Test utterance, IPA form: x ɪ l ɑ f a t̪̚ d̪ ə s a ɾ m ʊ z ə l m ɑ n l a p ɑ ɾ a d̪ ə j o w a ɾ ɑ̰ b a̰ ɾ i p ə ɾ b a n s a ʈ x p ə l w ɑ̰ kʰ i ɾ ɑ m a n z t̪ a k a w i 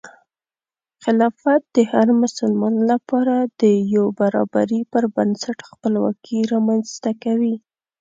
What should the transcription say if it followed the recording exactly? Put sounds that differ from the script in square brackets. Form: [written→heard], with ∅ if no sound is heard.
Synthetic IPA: x ɪ l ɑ f a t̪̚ d̪ ə [s→h] a ɾ m ʊ [z→s] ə l m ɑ n l a p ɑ ɾ a d̪ ə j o [w→b] a ɾ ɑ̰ b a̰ ɾ i p ə ɾ b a n s a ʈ x p ə l w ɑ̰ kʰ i ɾ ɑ m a n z t̪ a k a w i

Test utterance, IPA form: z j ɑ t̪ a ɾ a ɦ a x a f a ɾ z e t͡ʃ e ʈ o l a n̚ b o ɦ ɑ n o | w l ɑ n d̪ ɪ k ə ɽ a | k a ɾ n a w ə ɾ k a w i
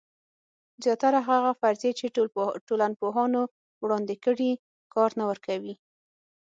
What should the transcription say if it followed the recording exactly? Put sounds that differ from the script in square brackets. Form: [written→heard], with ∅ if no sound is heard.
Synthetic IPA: z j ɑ t̪ a ɾ a ɦ a [x→ɣ] a f a ɾ z e t͡ʃ e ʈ o l a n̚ [b→p] o ɦ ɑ n o | w [l→ɽ] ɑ n d̪ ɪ k ə ɽ [a→i] | k [a→ɑ] ɾ n a w ə ɾ k a w i

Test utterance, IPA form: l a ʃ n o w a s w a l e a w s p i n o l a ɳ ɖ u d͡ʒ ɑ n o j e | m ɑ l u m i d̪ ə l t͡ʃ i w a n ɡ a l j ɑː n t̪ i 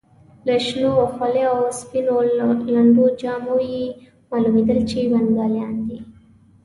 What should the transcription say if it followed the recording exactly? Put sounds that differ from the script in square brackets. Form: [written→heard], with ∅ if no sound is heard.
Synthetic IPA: l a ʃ n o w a [s→x] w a l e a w s p i n o l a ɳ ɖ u d͡ʒ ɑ [n→m] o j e | m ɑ l u m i d̪ ə l t͡ʃ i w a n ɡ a l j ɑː n [t̪→d̪] i

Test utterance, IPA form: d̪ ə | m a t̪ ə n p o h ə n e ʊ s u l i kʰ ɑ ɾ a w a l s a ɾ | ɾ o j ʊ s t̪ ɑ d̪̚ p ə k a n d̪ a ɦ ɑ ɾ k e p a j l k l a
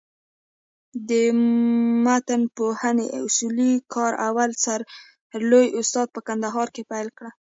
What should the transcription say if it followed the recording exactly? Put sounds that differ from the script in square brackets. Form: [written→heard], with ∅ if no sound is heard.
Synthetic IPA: d̪ ə | m a t̪ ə n p o h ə n e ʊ s u l i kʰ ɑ ɾ a w a l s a ɾ | [ɾ→l] o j ʊ s t̪ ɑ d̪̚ p ə k a n d̪ a ɦ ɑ ɾ k e p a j l k [l→ɽ] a

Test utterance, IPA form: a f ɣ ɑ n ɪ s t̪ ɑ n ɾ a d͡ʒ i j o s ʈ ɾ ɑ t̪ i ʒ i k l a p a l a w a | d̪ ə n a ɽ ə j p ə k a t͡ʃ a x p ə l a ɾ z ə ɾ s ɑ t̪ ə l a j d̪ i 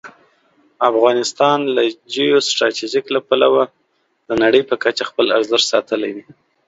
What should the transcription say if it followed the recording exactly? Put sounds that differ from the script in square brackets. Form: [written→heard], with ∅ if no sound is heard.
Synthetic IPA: a f ɣ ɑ n ɪ s t̪ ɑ n [ɾ→l] a d͡ʒ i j o s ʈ ɾ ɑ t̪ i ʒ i k l a p a l a w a | d̪ ə n a ɽ ə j p ə k a t͡ʃ a x p ə l a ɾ z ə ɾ s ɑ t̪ ə l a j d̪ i

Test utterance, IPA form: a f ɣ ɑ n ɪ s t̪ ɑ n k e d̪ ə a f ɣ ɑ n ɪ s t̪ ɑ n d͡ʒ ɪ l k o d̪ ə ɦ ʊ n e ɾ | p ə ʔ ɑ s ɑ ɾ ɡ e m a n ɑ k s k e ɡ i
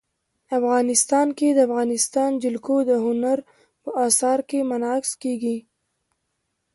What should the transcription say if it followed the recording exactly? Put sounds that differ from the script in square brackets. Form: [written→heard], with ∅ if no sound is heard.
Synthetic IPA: a f ɣ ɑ n ɪ s t̪ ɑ n k e d̪ ə a f ɣ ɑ n ɪ s t̪ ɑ n d͡ʒ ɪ l k o d̪ ə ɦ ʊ n [e→a] ɾ | p ə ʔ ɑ s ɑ ɾ [ɡ→k] e m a n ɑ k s k e ɡ i

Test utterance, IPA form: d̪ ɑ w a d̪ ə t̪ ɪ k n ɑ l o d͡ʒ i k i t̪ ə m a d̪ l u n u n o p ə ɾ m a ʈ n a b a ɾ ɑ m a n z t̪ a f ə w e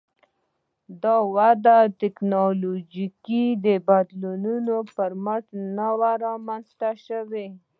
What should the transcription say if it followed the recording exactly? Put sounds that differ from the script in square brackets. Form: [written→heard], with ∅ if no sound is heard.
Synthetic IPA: d̪ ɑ w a d̪ [ə→a] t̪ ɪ k n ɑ l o d͡ʒ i k i [t̪→d̪] ə [m→b] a d̪ l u n u n o p ə ɾ m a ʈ n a [b→w] a ɾ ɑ m a n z t̪ a [f→ʃ] ə w e

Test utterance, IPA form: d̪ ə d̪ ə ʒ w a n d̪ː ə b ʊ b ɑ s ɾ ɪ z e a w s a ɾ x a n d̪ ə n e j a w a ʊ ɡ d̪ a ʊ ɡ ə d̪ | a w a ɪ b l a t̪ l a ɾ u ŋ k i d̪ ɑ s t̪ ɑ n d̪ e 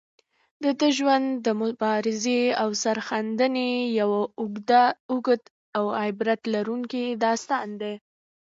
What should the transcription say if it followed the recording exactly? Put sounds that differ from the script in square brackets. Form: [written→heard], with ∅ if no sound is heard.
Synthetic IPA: d̪ ə d̪ ə ʒ w a n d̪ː ə [b→m] ʊ b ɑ [s→∅] ɾ ɪ z e a w s a ɾ x a n d̪ ə n e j a w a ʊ ɡ d̪ a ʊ ɡ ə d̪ | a w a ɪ b [l→ɾ] a t̪ l a ɾ u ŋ k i d̪ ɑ s t̪ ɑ n d̪ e

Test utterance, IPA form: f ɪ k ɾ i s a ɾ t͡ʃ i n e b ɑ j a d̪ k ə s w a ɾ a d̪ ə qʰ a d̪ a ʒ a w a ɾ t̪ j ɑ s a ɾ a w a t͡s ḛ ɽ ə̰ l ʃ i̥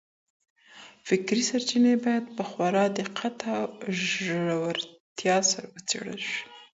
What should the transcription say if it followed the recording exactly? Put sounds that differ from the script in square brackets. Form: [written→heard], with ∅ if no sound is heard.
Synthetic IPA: f ɪ k ɾ i s a ɾ t͡ʃ i n e b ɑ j a d̪ [k→p] ə [s→x] w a ɾ [a→ɑ] d̪ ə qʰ a [d̪→t̪] a ʒ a w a ɾ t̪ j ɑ s a ɾ a w [a→ə] t͡s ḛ ɽ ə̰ l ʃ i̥

